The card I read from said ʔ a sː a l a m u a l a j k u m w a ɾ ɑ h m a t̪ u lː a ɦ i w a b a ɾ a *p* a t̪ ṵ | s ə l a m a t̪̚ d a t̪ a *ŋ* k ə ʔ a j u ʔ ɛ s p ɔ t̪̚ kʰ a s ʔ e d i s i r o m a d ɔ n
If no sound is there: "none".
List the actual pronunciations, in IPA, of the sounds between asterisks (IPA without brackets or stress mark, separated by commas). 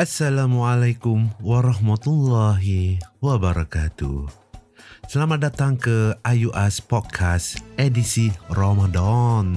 k, ŋ